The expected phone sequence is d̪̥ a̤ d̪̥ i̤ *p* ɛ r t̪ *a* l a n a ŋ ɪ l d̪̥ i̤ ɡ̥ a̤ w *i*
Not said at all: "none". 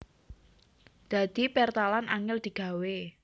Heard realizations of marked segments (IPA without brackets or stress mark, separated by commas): p, a, e